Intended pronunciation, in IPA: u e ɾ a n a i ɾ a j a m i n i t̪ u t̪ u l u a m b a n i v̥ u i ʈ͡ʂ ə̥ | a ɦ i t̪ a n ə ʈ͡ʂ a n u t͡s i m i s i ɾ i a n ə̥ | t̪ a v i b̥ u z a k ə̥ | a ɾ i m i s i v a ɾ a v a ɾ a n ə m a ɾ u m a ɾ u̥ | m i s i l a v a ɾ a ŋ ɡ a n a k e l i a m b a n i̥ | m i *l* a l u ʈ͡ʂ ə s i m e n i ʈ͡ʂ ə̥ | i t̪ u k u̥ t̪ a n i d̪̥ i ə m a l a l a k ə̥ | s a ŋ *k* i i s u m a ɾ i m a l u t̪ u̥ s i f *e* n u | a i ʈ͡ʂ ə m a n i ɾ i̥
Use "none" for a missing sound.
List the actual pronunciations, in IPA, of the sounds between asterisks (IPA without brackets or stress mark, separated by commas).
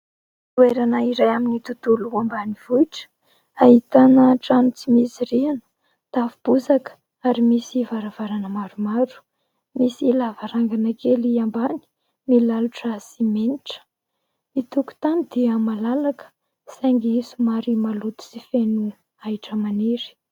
l, ɡ, e